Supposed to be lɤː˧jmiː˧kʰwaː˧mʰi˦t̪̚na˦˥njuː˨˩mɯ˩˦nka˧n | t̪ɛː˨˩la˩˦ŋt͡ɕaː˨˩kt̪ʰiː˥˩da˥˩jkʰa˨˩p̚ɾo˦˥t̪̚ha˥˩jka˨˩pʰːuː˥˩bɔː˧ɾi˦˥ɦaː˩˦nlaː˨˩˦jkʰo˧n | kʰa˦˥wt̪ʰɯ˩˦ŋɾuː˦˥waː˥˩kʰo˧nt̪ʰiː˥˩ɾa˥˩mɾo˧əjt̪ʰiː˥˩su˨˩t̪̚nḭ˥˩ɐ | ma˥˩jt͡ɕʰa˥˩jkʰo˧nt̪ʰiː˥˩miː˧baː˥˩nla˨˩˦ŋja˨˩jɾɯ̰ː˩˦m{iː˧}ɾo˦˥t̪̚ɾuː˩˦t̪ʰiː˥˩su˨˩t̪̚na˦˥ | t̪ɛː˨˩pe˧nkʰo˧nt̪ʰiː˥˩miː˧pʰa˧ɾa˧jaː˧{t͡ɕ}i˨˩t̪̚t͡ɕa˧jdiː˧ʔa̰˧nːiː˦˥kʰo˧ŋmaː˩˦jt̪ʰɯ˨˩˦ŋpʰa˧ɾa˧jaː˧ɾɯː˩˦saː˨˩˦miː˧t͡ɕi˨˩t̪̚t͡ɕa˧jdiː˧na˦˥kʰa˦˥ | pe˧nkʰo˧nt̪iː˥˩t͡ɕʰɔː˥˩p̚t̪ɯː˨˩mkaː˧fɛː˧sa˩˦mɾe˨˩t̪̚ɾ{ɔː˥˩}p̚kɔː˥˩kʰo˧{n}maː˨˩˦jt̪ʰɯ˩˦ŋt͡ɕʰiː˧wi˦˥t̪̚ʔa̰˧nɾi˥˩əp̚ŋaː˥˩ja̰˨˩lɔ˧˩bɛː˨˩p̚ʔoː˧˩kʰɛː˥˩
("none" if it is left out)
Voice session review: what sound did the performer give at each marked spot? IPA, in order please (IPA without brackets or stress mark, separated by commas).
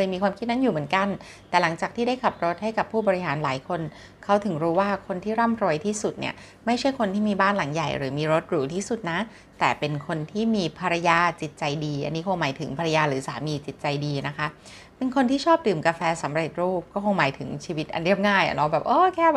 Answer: iː˧, t͡ɕ, uː˥˩, ŋ